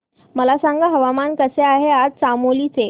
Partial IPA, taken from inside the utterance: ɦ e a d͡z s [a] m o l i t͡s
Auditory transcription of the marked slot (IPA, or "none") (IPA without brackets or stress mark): a